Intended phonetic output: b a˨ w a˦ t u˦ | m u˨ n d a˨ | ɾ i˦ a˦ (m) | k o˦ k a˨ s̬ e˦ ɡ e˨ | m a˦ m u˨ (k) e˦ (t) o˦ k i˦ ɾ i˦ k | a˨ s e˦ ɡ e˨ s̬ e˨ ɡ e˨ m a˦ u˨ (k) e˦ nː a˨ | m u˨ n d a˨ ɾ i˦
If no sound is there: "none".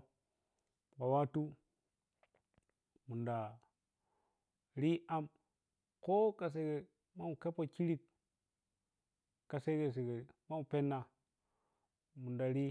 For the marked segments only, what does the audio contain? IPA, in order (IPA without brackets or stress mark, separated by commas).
m, k, p, p